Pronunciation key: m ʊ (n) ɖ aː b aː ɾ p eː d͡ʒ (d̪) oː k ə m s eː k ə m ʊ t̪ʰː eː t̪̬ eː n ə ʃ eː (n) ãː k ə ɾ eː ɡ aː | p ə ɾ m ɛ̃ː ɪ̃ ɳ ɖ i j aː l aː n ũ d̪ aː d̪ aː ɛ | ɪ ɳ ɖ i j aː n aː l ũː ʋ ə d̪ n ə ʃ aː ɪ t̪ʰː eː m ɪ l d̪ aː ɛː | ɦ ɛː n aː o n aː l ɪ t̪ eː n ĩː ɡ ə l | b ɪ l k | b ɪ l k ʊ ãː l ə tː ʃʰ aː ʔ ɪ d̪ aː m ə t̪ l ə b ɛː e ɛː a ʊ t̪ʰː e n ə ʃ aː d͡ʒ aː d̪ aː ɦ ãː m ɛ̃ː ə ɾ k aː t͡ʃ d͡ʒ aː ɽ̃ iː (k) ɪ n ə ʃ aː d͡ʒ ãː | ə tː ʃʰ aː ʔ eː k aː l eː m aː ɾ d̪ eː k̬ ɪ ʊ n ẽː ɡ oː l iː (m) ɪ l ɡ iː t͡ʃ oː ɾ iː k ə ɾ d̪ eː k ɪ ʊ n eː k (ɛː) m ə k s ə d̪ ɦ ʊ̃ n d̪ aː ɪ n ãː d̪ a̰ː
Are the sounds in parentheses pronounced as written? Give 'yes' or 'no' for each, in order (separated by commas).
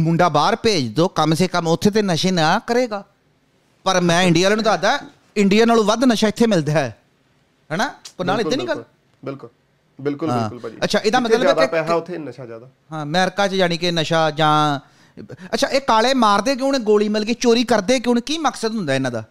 no, yes, yes, yes, yes, no